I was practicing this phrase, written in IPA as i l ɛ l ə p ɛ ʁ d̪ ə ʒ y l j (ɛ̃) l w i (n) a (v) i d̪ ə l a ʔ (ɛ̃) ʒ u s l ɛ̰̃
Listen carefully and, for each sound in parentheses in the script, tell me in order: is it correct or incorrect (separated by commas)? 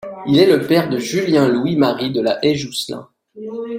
correct, incorrect, incorrect, incorrect